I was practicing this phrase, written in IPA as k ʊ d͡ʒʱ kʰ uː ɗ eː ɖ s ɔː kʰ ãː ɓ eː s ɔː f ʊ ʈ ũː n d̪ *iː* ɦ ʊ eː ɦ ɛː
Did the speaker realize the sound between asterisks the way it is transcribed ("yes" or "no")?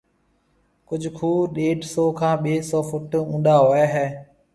no